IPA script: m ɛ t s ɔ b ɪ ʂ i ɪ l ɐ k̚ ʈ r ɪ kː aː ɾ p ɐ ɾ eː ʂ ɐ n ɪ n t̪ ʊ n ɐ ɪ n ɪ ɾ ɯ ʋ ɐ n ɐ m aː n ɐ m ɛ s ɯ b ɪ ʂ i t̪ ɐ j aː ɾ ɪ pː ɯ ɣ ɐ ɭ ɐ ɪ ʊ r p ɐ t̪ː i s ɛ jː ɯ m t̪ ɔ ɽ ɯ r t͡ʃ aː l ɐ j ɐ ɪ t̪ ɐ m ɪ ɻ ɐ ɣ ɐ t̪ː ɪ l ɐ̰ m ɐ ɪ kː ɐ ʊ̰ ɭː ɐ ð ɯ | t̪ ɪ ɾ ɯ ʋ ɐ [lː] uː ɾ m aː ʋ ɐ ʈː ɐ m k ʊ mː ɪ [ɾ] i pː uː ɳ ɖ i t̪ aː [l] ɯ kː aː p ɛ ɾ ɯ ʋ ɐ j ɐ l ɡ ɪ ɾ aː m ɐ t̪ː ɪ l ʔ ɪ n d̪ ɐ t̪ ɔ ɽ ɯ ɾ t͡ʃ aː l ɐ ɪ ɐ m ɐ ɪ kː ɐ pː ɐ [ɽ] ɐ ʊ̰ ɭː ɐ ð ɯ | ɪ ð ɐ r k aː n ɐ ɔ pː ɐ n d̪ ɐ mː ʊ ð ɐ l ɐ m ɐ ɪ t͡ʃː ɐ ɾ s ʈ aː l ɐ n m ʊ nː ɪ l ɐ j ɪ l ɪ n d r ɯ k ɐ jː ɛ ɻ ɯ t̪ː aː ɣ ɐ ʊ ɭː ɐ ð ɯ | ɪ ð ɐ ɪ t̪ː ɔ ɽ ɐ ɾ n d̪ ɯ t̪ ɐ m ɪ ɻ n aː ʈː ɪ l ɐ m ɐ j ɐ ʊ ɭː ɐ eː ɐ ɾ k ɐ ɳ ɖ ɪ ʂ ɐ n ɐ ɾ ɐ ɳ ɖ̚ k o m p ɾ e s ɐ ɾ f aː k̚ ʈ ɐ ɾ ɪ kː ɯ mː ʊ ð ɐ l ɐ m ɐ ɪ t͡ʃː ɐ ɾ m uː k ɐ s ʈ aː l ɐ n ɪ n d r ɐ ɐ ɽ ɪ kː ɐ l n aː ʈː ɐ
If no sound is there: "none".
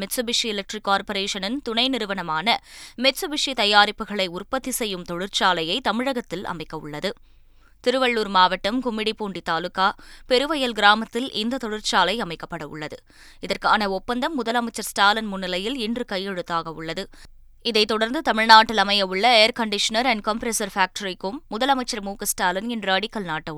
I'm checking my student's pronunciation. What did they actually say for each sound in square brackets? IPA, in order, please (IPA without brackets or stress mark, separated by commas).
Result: ɭː, ɽ, l, ɽ